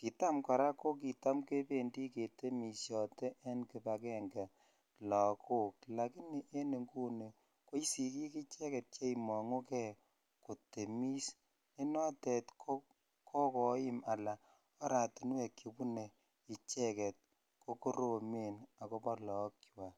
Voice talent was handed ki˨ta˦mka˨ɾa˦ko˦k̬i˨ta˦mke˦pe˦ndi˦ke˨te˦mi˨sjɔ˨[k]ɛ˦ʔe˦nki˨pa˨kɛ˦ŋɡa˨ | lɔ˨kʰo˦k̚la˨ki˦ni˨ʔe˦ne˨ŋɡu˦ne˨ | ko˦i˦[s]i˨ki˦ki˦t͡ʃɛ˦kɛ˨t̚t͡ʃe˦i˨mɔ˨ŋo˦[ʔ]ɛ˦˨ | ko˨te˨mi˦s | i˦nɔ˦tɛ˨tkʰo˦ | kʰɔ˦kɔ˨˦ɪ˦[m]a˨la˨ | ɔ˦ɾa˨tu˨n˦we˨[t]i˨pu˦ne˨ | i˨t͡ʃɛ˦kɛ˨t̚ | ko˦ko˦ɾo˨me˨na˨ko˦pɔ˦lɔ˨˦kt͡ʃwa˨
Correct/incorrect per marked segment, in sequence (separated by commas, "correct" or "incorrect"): incorrect, correct, incorrect, correct, incorrect